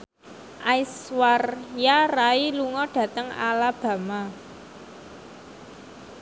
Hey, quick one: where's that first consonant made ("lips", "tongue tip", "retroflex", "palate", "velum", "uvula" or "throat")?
throat